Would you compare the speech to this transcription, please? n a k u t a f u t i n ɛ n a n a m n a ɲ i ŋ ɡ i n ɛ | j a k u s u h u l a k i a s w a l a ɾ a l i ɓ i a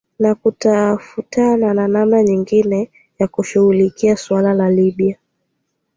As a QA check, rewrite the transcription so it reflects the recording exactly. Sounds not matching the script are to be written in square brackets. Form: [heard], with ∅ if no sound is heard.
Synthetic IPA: n a k u t a f u t [a] n [a] n a n a m n a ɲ i ŋ ɡ i n ɛ | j a k u [ʃ] u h u l [i] k i a s w a l a [l] a l i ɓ i a